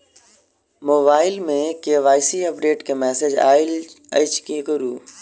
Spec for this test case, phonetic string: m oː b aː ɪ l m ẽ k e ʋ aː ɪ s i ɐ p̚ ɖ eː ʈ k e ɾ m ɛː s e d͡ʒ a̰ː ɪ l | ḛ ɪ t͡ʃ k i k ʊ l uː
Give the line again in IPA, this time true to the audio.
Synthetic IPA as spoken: m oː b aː ɪ l m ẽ k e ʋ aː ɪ s i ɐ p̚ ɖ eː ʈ k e m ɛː s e d͡ʒ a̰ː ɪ l | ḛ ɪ t͡ʃ k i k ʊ ɾ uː